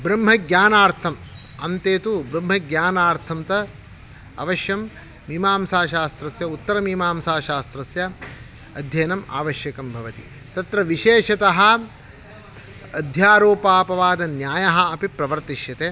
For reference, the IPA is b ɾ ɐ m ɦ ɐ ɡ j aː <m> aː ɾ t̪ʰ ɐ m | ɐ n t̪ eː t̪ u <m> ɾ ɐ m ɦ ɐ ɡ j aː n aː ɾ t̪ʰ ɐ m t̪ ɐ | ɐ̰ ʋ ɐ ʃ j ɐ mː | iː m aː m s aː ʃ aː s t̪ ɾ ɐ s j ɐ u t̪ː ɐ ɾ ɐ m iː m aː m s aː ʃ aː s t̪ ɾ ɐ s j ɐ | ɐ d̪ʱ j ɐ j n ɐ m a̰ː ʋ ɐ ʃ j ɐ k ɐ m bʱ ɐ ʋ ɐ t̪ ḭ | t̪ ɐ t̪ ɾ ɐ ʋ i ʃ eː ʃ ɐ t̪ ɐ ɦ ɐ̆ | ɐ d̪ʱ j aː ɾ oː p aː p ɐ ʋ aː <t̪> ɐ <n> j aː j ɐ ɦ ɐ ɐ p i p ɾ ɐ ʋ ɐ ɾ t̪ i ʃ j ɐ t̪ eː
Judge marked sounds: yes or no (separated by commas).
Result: no, no, no, yes